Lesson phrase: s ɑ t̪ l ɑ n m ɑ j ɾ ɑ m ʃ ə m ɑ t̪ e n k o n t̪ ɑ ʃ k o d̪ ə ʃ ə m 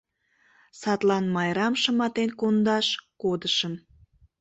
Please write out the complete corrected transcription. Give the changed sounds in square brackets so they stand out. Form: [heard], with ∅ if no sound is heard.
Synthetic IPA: s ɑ t̪ l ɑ n m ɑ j ɾ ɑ m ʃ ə m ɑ t̪ e n k o n [d̪] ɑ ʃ k o d̪ ə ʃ ə m